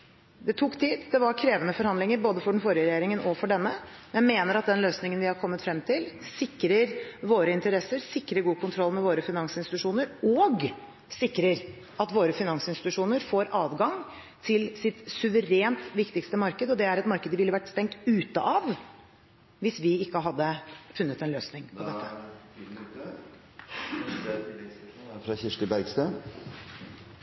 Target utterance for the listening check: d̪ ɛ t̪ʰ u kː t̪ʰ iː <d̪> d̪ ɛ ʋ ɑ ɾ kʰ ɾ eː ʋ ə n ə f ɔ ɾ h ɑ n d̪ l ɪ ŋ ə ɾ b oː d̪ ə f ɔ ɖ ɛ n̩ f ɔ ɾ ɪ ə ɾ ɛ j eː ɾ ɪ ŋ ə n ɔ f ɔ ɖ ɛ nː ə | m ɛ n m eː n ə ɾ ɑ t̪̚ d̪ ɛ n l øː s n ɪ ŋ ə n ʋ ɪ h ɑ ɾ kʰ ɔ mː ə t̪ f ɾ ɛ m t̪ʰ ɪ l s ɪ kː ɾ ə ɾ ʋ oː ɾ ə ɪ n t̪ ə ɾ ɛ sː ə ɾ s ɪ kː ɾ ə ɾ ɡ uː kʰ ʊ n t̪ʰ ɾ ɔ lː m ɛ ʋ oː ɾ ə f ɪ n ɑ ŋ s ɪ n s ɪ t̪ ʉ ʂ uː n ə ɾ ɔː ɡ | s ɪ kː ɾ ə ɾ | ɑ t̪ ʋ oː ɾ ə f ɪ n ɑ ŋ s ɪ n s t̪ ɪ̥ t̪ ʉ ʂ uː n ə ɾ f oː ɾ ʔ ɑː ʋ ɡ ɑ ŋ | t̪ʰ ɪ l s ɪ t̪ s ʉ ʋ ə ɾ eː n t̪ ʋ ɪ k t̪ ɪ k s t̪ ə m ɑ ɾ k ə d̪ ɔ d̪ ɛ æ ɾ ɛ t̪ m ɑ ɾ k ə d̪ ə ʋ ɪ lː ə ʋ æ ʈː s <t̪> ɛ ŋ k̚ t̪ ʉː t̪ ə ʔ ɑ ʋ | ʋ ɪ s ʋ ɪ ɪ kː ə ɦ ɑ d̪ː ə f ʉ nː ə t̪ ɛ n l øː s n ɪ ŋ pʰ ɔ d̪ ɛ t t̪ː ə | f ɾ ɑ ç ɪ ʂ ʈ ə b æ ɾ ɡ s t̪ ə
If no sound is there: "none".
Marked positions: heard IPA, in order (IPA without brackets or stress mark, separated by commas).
d̪, t̪